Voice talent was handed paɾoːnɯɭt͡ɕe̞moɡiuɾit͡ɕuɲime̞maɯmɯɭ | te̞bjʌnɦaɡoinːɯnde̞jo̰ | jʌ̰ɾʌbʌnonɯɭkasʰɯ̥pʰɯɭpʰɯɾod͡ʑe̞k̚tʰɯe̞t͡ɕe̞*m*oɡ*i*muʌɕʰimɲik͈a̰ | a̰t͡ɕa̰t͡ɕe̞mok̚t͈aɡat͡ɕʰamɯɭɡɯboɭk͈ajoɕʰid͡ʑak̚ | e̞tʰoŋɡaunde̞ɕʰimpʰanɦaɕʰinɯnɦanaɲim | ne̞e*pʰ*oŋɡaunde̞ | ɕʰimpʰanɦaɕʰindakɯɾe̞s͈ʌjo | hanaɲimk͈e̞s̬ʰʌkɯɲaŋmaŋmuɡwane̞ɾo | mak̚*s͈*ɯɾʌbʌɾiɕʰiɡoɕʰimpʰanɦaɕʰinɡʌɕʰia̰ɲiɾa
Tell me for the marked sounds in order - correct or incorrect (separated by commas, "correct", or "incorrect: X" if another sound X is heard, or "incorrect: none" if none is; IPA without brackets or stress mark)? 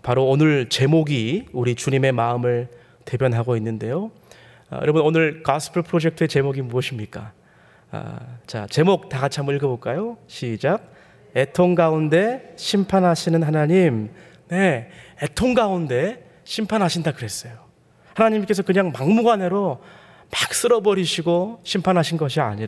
correct, correct, incorrect: tʰ, correct